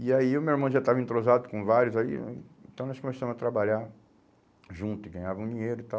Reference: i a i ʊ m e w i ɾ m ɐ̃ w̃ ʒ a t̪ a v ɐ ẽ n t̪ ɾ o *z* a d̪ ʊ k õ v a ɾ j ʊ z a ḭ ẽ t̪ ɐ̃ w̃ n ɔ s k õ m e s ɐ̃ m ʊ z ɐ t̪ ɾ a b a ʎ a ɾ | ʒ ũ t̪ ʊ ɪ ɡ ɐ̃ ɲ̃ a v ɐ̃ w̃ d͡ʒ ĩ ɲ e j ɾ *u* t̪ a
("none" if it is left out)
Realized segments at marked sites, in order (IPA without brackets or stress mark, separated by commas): z, ʊ